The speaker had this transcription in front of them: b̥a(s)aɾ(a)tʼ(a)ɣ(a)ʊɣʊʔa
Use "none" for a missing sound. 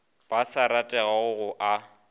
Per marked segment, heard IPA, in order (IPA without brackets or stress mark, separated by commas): s, a, ɛ, a